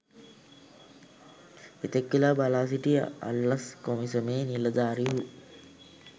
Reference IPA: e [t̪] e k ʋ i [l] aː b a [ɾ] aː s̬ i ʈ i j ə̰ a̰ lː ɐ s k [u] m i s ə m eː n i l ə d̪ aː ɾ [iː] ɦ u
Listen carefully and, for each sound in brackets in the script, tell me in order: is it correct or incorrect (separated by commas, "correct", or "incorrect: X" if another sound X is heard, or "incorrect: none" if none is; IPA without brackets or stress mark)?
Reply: correct, correct, incorrect: l, incorrect: o, incorrect: i